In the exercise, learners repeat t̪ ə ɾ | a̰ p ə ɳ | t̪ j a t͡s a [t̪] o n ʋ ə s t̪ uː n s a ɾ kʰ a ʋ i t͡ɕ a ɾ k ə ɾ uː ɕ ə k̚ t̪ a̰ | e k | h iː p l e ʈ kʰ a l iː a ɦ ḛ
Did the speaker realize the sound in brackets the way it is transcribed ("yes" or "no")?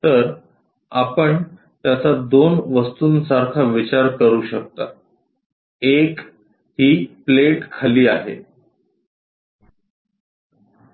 no